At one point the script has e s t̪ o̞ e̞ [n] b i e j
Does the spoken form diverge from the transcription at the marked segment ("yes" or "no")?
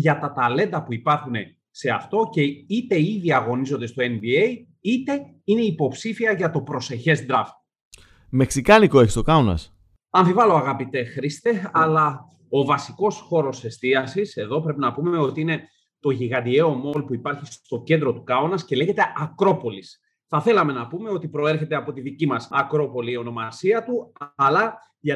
no